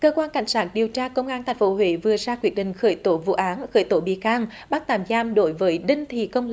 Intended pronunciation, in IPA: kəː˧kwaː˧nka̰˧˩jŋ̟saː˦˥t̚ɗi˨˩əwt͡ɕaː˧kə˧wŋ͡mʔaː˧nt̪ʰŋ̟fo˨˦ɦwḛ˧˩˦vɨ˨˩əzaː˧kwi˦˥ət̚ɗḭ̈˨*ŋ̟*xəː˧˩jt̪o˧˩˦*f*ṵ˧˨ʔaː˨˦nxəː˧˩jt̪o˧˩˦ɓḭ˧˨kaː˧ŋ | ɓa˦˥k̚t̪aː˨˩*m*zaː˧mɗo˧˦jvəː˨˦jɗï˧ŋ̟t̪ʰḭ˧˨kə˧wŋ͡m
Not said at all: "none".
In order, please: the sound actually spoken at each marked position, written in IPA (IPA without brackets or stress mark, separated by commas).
ŋ̟, v, m